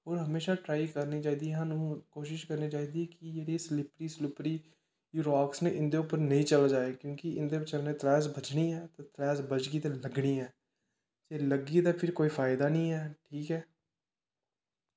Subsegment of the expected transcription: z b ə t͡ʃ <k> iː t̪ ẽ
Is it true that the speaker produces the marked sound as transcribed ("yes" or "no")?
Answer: no